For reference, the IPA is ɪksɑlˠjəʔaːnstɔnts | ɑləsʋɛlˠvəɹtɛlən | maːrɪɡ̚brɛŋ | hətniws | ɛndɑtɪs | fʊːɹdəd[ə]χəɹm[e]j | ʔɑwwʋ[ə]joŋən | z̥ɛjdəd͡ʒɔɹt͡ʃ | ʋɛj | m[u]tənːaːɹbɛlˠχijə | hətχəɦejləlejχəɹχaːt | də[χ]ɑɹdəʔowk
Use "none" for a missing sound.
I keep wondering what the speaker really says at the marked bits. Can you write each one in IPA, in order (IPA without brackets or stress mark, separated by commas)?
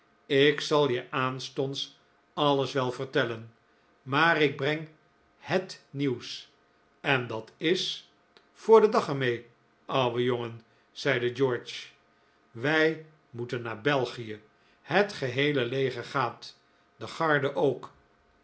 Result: ɑ, e, ə, u, χ